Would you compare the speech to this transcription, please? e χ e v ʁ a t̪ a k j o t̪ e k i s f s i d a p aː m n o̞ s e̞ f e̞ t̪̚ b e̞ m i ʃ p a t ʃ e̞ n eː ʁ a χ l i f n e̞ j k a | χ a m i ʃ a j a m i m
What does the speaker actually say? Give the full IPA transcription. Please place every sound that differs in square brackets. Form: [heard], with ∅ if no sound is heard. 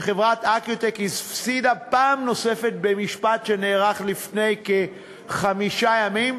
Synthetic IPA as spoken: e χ e v ʁ a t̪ a k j o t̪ e k i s f s i d a p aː m n o̞ s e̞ f e̞ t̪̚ b e̞ m i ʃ p a t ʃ e̞ n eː ʁ a χ l i f n e̞ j k [e] | χ a m i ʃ a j a m i m